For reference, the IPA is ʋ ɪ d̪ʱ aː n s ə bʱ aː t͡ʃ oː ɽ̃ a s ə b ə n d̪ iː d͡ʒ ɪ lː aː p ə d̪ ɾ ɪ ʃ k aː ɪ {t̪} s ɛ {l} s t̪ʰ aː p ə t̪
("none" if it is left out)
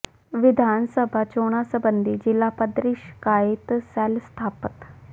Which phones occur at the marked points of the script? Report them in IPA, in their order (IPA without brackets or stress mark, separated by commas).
t̪, l